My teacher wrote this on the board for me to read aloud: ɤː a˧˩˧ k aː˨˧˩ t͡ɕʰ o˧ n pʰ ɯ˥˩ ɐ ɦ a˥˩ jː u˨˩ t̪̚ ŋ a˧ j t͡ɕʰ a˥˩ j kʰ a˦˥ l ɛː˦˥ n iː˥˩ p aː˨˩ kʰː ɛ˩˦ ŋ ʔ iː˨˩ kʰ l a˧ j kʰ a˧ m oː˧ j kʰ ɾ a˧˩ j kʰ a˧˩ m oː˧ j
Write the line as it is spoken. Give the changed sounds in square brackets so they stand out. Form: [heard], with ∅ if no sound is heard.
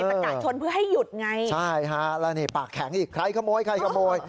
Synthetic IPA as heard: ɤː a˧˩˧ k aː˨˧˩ t͡ɕʰ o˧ n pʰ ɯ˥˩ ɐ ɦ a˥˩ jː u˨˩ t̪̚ ŋ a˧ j t͡ɕʰ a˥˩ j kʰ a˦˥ l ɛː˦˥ n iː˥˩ p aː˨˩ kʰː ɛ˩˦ ŋ ʔ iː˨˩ kʰ [ɾ] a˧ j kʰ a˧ m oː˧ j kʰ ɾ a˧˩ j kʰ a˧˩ m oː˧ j